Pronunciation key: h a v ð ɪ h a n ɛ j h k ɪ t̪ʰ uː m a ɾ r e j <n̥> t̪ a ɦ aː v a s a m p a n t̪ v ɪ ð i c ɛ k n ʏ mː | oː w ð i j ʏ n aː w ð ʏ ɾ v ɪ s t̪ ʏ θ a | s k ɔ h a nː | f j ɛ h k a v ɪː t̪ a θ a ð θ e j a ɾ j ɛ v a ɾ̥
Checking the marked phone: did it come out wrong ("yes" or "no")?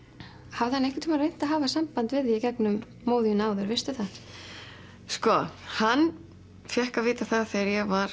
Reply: no